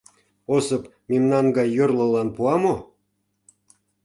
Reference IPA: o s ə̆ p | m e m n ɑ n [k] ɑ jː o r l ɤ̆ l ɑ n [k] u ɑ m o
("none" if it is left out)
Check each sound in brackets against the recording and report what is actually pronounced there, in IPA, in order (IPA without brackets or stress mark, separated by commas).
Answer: ɡ, p